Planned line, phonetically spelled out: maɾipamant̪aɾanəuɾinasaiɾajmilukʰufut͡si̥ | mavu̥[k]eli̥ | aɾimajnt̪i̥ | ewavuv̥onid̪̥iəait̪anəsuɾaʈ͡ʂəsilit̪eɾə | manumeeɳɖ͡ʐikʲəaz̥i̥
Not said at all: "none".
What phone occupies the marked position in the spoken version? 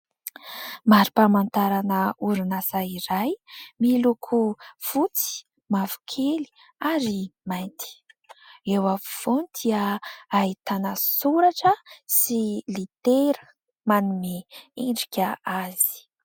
kʰ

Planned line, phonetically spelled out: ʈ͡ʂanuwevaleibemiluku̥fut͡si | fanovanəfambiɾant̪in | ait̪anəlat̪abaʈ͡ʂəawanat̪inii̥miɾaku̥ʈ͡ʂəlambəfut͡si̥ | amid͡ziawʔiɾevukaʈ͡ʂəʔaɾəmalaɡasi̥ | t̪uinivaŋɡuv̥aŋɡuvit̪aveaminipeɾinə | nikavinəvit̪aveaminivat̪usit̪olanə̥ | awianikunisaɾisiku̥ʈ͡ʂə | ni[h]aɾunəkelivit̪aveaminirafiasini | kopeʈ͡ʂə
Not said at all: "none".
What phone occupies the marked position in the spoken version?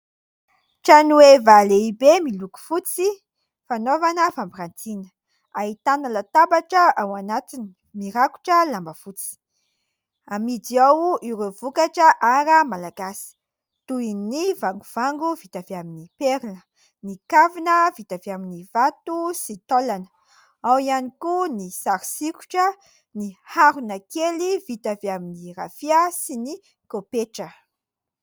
h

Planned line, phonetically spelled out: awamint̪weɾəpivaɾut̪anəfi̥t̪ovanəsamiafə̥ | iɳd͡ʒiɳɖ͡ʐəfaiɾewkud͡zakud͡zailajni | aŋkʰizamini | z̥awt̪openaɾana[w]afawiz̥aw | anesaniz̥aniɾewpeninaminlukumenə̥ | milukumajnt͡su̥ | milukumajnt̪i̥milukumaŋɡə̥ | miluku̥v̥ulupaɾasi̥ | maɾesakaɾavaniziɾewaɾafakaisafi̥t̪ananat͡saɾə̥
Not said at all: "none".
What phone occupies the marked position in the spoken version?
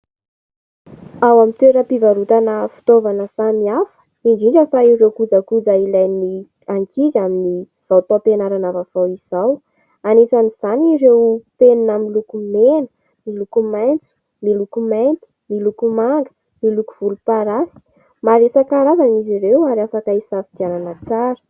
v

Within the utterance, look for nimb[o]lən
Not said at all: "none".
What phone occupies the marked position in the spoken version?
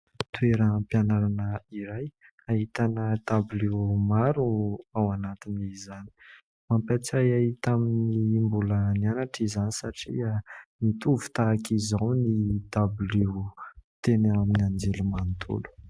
u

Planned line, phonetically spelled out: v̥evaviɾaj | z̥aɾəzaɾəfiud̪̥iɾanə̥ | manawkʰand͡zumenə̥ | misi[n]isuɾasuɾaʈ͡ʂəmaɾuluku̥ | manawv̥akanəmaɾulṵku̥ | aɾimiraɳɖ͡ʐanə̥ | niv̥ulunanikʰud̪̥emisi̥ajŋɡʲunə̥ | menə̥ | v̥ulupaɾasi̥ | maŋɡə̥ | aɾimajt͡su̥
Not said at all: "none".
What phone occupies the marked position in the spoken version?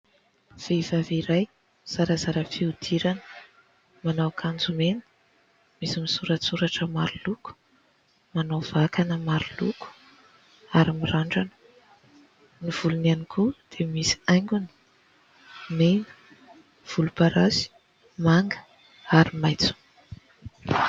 m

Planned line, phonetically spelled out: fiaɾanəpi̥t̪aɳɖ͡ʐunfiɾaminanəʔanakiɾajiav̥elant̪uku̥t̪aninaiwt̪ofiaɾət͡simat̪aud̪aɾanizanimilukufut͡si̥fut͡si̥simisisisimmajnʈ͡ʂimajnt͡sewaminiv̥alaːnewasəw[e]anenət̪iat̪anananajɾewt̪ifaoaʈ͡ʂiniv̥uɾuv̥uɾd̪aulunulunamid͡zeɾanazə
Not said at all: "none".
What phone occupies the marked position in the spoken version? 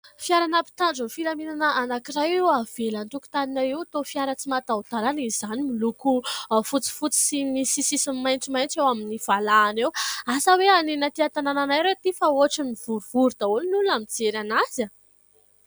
e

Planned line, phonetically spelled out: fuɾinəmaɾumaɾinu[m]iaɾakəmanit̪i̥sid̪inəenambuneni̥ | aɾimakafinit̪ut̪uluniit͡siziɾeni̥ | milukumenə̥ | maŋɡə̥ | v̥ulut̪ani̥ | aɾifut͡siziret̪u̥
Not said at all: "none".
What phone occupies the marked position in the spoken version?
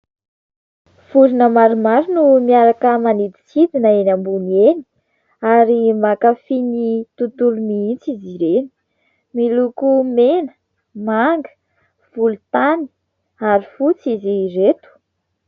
m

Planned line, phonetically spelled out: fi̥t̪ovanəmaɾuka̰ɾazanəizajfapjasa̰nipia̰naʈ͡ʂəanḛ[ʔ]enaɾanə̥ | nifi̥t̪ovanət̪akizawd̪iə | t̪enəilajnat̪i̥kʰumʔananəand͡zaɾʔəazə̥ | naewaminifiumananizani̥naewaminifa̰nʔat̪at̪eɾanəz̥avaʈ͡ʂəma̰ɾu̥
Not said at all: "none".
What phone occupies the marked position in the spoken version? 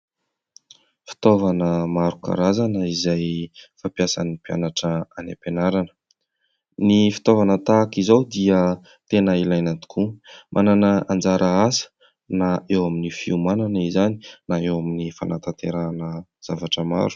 p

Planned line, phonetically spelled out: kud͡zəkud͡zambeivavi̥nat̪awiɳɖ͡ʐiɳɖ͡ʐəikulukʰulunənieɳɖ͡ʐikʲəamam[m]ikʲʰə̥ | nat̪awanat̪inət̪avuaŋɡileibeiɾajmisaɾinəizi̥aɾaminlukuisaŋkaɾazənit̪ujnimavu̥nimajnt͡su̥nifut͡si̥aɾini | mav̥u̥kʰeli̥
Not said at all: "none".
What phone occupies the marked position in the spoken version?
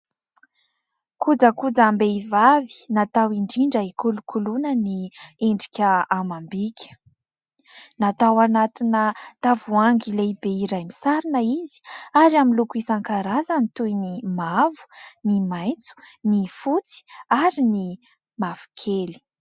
b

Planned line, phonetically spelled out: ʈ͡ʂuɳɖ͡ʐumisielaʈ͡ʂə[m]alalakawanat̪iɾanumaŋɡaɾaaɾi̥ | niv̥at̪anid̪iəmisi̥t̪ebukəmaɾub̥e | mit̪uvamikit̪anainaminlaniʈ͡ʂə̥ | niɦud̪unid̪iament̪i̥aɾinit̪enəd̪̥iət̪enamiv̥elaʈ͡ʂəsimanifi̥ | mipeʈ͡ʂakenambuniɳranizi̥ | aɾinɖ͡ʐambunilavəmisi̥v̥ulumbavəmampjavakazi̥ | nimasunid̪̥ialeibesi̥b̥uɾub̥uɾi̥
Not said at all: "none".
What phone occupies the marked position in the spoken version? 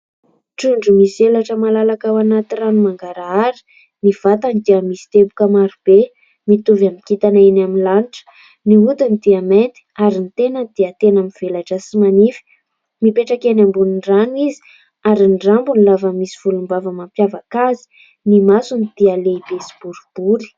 m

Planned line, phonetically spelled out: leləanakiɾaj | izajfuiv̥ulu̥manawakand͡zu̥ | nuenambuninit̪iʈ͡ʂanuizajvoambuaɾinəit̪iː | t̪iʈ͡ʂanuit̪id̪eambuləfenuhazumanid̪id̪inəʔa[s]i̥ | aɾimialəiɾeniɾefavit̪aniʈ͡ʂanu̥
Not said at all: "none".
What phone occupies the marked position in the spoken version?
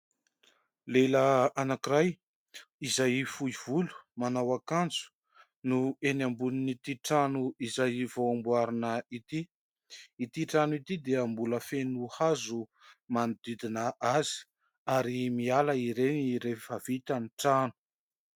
z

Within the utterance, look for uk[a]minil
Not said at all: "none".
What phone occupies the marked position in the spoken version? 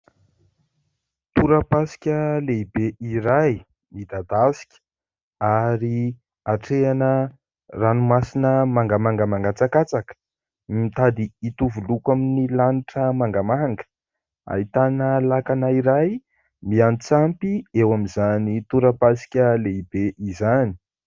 a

